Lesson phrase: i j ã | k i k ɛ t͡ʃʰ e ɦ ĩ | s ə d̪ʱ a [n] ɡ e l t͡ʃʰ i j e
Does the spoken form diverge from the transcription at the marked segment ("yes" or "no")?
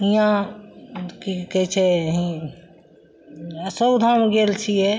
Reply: yes